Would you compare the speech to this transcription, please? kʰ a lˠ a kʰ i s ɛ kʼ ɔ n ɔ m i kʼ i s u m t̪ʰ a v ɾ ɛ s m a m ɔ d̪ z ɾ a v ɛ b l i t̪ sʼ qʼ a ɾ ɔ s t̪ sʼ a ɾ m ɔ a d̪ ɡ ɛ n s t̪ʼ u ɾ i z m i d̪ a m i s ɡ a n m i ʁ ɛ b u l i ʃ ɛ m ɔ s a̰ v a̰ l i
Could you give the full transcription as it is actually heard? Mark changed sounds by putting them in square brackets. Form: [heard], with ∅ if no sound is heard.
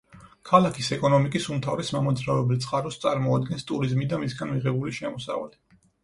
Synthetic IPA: kʰ a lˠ a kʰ i s ɛ kʼ ɔ n ɔ m i kʼ i s u m t̪ʰ a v ɾ ɛ s m a m ɔ d̪ z ɾ a v ɛ b l i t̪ sʼ qʼ a ɾ ɔ s t̪ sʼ a ɾ m ɔ a d̪ ɡ ɛ n s t̪ʼ u ɾ i z m i d̪ a m i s ɡ a n m i ʁ ɛ b u l i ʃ ɛ m ɔ s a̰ v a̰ l i